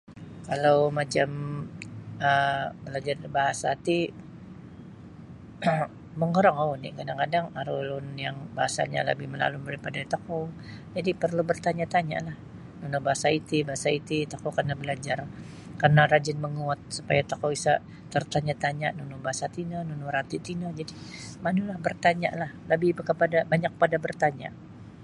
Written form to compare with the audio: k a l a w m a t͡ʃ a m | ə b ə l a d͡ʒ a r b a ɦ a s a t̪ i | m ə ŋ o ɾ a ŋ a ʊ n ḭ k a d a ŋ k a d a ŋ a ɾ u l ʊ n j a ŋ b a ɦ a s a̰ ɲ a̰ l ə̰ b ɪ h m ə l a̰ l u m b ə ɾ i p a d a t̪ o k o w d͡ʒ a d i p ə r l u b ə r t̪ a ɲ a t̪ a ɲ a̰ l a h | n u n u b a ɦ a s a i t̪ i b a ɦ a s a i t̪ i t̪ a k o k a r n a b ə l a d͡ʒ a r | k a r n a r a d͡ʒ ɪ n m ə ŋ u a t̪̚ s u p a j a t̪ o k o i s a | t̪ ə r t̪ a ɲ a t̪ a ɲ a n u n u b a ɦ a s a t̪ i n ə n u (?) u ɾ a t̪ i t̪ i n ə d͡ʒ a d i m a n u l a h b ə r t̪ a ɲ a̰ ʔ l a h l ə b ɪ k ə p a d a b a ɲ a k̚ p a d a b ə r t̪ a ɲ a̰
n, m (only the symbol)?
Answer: n